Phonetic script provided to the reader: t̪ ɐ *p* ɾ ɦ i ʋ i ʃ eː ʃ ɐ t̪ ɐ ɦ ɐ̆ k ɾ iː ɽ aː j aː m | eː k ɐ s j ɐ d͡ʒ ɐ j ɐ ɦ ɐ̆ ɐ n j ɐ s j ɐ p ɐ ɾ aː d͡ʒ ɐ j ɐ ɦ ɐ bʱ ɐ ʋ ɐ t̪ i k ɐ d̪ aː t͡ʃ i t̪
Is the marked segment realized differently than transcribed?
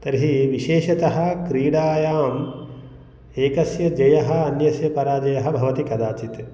yes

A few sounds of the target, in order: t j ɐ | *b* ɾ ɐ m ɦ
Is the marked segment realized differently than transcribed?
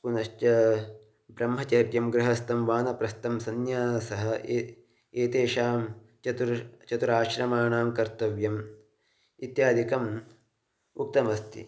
no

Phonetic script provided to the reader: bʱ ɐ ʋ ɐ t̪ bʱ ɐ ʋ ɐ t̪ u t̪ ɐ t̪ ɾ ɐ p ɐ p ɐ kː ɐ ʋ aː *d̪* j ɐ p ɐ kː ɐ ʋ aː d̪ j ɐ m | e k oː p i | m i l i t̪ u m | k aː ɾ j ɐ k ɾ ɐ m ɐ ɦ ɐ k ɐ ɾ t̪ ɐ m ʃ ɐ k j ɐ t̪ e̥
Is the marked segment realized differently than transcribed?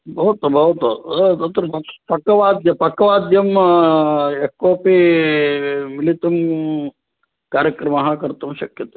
no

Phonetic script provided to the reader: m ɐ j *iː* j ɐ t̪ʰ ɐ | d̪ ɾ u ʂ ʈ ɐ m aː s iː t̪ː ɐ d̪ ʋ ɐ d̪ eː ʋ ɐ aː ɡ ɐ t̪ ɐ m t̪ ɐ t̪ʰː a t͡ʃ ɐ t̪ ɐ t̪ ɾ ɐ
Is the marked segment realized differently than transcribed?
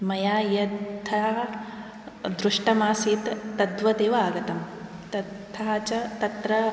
yes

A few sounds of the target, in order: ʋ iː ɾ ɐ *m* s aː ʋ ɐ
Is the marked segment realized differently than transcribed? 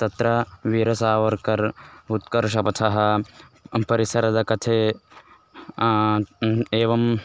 yes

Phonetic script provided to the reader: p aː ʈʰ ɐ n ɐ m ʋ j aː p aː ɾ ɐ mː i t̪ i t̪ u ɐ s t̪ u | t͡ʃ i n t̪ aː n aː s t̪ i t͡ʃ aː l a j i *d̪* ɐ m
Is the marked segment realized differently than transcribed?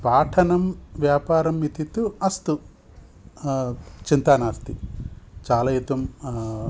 yes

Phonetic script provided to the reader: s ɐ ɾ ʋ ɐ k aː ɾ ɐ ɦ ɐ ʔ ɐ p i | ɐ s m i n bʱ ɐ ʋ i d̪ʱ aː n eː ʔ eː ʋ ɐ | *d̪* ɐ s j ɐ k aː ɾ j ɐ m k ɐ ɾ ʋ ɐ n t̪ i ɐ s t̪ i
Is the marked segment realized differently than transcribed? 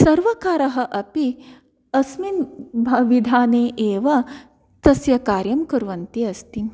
yes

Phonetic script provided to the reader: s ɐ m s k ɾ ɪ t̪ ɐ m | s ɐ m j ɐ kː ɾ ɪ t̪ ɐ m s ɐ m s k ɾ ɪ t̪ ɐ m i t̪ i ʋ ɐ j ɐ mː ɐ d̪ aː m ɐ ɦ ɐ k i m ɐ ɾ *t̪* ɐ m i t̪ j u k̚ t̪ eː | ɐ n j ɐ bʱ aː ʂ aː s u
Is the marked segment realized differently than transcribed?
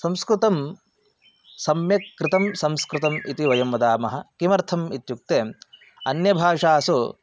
yes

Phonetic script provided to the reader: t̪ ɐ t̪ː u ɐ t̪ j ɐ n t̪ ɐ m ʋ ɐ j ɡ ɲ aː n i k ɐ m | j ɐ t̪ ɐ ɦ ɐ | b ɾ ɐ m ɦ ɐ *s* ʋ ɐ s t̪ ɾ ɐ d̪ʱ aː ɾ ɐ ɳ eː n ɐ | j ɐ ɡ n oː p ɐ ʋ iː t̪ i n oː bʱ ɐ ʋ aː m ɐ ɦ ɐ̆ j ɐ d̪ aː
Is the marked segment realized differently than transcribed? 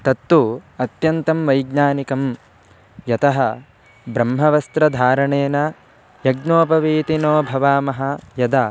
yes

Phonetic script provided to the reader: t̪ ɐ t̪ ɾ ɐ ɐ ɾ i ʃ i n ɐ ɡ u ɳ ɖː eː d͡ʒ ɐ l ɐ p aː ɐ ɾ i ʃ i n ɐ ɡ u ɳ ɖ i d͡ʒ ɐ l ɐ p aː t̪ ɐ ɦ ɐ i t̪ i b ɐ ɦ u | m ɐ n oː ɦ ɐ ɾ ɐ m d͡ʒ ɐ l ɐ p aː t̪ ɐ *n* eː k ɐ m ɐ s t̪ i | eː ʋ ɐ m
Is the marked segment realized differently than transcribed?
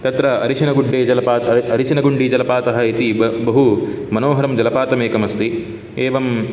yes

